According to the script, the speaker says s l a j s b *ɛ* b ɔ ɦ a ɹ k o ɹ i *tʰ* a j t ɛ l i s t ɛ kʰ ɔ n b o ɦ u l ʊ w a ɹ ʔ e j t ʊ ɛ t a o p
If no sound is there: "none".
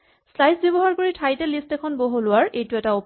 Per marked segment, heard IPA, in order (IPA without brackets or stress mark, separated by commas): i, tʰ